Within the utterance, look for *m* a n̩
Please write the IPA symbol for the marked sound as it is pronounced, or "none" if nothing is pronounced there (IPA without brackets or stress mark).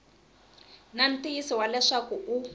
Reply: n